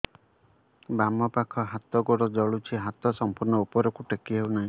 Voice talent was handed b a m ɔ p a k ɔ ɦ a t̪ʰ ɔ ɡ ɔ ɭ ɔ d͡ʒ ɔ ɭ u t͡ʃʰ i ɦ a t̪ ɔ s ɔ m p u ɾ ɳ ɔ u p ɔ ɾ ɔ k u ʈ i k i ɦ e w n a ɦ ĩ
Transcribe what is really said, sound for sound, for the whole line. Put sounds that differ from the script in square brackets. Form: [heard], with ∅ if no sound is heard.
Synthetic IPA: b a m ɔ p a [kʰ] ɔ ɦ a [t̪] ɔ ɡ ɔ [ɽ] ɔ d͡ʒ ɔ ɭ u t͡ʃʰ i ɦ a t̪ ɔ s ɔ m p u ɾ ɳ ɔ u p ɔ ɾ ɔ k u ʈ [e] k i ɦ e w n a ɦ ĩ